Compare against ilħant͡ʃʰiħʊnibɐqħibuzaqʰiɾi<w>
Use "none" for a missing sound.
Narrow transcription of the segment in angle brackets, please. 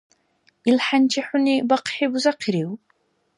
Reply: w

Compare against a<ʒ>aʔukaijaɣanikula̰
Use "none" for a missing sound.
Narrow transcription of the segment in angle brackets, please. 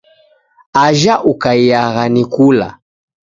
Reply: ʒ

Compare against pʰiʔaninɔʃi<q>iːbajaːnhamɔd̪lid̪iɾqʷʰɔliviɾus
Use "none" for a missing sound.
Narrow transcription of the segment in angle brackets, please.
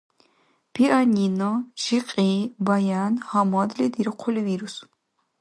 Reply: qʼ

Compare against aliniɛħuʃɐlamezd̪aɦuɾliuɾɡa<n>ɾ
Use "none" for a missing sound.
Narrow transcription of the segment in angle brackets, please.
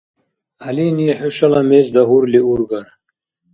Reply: none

